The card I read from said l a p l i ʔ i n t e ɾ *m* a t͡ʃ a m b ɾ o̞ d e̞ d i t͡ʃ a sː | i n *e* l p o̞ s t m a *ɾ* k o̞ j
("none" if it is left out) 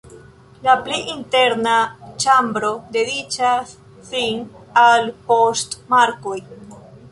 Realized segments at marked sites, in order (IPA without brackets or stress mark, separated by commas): n, a, ɾ